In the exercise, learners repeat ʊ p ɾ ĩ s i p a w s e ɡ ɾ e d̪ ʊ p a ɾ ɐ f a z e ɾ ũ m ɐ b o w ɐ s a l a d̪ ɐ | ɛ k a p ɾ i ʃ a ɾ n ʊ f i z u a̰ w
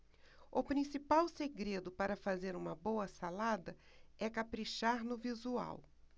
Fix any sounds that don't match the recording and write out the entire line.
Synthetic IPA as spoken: ʊ p ɾ ĩ s i p a w s e ɡ ɾ e d̪ ʊ p a ɾ ɐ f a z e ɾ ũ m ɐ b o w ɐ s a l a d̪ ɐ | ɛ k a p ɾ i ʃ a ɾ n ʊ v i z u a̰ w